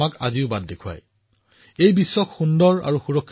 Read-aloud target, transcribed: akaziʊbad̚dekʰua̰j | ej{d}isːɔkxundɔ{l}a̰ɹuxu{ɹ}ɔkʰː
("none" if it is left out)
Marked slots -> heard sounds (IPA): b, ɹ, ɹ

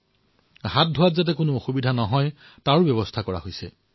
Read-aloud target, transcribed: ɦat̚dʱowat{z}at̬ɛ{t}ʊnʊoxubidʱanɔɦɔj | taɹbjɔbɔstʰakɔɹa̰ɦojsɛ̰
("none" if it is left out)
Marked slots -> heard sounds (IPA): z, k

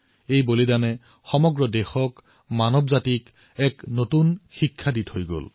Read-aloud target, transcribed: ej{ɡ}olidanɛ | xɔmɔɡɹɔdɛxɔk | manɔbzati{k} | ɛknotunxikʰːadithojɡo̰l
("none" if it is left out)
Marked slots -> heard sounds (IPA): b, k

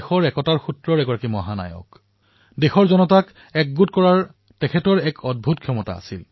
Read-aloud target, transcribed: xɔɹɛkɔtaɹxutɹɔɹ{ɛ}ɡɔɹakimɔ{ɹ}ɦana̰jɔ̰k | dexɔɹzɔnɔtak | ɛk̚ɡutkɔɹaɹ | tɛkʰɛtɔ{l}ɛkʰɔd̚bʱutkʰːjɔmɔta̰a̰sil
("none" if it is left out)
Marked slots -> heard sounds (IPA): ɛ, none, ɹ

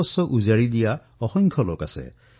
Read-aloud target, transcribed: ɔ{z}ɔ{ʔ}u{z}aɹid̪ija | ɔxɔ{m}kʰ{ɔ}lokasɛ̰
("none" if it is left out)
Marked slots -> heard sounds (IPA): s, ʔ, z, ŋ, ɔ

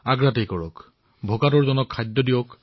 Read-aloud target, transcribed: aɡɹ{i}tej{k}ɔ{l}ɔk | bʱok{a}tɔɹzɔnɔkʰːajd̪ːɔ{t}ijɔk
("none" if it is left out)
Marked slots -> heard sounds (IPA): a, k, ɹ, a, d

